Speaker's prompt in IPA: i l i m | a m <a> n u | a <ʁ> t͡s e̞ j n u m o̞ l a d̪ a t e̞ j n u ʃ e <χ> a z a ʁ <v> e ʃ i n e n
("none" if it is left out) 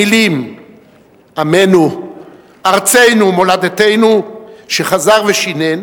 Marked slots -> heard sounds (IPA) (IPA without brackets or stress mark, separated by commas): e, ʁ, χ, v